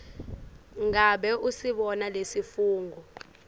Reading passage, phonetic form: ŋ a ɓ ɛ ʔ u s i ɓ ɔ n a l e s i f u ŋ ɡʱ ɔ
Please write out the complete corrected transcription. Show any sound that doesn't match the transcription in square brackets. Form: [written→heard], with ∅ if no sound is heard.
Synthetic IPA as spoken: ŋ a ɓ ɛ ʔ u s i ɓ ɔ n a l e s i f [u→uː] ŋ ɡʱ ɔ